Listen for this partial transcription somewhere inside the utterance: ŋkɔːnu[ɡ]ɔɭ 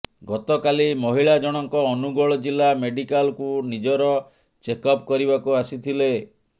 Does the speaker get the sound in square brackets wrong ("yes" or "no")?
no